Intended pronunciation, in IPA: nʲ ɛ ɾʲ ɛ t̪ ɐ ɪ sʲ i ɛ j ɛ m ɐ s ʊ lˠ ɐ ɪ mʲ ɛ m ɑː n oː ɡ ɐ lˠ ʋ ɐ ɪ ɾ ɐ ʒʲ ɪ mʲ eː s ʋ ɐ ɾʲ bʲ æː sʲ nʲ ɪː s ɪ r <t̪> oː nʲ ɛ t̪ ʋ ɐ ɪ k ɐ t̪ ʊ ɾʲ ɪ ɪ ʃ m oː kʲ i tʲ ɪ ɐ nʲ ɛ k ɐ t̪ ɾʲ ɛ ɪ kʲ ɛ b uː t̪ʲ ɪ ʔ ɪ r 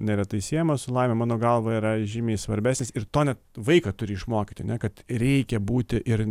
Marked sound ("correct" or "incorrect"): correct